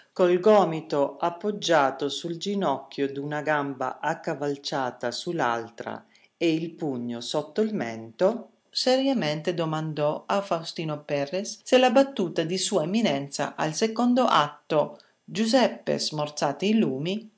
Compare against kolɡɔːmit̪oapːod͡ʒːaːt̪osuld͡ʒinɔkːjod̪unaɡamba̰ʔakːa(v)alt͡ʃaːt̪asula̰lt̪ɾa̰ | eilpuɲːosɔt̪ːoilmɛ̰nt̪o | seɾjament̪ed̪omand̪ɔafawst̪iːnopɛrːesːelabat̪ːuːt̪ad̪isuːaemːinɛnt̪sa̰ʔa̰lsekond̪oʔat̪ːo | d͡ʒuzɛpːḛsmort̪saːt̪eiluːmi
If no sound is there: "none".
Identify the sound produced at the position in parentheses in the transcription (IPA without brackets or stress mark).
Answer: v